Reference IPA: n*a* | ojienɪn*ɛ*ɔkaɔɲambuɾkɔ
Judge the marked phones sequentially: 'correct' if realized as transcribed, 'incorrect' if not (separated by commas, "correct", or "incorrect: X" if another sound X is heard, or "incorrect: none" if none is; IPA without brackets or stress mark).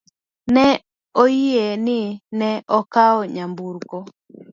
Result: incorrect: ɛ, correct